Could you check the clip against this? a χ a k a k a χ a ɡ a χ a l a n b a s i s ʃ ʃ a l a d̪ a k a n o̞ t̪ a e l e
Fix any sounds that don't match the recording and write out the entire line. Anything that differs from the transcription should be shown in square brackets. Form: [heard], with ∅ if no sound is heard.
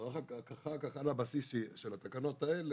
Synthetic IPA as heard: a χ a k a k a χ a [k] a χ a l a [∅] b a s i s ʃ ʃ [e] l a [t̪] a k a n o̞ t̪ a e l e

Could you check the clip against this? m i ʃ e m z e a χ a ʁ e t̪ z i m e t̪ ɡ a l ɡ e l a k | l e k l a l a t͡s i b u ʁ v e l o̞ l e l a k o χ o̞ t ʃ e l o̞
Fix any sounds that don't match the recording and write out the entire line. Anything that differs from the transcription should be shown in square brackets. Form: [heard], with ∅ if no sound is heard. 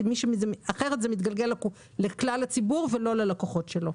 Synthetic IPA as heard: m i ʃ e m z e a χ [e] ʁ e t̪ z [e] m [i] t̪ ɡ a l ɡ e l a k | l e k l a l a t͡s i b u ʁ v e l o̞ l e l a k o χ o̞ t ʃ e l o̞

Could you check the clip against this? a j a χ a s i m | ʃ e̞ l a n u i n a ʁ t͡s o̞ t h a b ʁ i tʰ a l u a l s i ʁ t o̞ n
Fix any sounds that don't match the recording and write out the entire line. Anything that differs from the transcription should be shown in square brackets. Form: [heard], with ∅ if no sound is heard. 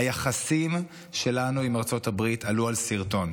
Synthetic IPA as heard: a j a χ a s i m | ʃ e̞ l a n u i [m] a ʁ t͡s o̞ t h a b ʁ i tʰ a l u a l s i ʁ t o̞ n

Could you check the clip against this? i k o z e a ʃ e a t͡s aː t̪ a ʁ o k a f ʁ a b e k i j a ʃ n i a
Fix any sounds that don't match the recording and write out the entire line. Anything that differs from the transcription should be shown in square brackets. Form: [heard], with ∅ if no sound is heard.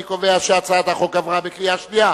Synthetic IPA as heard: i k o [v] e a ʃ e a t͡s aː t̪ a [χ] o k a [v] ʁ a b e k i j a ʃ n i a

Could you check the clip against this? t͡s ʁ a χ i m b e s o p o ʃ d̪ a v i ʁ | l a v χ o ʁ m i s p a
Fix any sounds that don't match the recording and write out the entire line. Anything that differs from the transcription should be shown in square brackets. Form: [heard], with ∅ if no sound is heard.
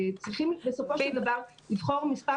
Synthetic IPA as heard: t͡s ʁ [i] χ i m b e s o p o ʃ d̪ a v [a] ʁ | l [i] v χ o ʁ m i s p a

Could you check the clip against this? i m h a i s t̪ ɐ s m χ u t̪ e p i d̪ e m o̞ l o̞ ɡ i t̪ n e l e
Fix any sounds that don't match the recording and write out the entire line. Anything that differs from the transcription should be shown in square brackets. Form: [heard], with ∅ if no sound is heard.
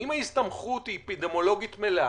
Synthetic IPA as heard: i m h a i s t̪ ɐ [∅] m χ u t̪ [i] p i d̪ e m o̞ l o̞ ɡ i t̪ [m] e l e

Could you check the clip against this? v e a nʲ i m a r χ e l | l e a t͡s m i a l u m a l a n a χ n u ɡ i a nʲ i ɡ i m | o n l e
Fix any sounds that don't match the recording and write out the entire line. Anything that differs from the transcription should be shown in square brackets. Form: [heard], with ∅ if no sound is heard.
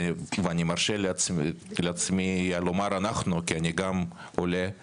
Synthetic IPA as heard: v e a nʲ i m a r [ʃ] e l | l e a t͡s m i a l [o] m a [ɾ] a n a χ n u [k] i a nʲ i ɡ [a] m | o [∅] l e

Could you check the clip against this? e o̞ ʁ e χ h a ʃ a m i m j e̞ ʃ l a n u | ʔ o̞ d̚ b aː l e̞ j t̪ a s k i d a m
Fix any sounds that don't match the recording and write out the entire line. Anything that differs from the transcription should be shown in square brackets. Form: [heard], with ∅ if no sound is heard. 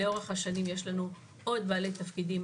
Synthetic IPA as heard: e o̞ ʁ e χ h a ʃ a [n] i m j e̞ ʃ l a n u | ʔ o̞ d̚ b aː l e̞ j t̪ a [f] k i d [i] m

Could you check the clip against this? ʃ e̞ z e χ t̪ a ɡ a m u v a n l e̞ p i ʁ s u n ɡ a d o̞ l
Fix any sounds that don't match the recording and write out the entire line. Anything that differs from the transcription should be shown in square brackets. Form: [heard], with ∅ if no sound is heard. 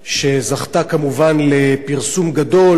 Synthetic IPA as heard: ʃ e̞ z [a] χ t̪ a [k] a m u v a n l e̞ p i ʁ s u [m] ɡ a d o̞ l

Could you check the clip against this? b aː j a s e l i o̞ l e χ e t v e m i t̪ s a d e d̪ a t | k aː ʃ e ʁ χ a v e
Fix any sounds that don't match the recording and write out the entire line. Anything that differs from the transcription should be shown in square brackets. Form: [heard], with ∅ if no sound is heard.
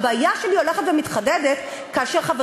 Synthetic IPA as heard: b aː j a [ʃ] e l i o̞ l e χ e t v e m i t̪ [χ] a d e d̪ [e] t | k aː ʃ e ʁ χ a v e

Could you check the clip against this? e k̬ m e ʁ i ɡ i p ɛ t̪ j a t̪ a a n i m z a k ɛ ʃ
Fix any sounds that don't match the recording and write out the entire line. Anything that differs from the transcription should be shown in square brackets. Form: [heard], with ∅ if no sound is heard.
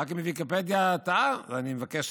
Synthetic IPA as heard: [a] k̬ m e [v] i [k] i p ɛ [d̪] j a t̪ a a n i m [v] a k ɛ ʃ

